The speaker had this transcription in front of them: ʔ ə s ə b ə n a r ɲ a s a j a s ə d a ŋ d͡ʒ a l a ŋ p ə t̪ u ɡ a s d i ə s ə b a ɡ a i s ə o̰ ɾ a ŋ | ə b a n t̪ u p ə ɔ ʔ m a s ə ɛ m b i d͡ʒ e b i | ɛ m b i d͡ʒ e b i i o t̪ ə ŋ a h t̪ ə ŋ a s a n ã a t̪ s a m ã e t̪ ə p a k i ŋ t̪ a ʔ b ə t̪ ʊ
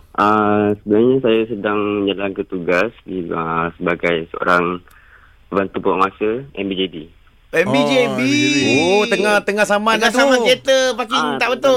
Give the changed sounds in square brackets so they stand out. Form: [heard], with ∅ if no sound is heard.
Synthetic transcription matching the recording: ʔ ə s ə b ə n a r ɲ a s a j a s ə d a ŋ d͡ʒ a l a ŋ [k] ə t̪ u ɡ a s d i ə s ə b a ɡ a [j] s ə o̰ ɾ a ŋ | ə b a n t̪ u p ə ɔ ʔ m a s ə ɛ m b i d͡ʒ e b i | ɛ m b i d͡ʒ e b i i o t̪ ə ŋ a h t̪ ə ŋ a s a [m] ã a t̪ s a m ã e t̪ ə p a k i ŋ t̪ a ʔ b ə t̪ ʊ